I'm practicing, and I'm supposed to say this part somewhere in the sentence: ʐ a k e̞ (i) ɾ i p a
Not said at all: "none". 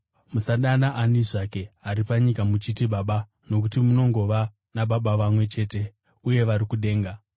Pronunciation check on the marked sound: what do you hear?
a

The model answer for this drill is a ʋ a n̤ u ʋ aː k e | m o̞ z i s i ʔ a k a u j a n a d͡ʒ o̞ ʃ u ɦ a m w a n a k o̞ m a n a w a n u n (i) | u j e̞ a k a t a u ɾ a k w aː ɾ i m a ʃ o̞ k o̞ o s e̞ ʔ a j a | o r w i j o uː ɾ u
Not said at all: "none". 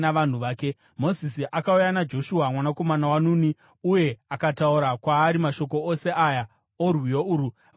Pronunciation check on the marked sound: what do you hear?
i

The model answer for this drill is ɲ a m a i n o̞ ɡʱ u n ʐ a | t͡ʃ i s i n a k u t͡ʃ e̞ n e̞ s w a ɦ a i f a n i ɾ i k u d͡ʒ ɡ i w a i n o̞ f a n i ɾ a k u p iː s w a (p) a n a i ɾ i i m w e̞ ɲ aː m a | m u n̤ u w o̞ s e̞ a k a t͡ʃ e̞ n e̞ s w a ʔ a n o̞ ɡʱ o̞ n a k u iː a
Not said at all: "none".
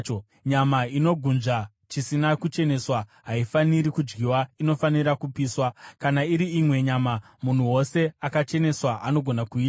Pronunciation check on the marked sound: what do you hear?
k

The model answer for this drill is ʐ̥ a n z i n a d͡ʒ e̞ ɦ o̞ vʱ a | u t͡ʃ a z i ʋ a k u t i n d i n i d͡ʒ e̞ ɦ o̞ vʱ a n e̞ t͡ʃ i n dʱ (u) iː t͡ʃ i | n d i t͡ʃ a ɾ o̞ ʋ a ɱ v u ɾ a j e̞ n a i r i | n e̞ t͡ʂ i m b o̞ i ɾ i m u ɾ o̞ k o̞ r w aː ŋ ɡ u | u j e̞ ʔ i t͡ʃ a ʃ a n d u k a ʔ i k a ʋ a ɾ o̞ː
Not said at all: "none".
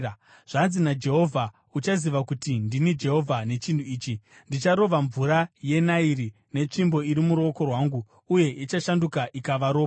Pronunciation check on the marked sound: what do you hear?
u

